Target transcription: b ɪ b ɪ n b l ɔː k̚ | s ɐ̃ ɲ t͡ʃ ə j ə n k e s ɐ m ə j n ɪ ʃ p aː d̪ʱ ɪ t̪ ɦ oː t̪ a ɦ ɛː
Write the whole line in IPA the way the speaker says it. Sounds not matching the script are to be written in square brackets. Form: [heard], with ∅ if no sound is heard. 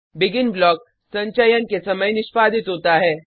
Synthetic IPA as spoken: b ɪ [ɡ] ɪ n b l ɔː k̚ | s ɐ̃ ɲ t͡ʃ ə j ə n k e s ɐ m ə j n ɪ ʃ p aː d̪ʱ ɪ t̪ ɦ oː t̪ a ɦ ɛː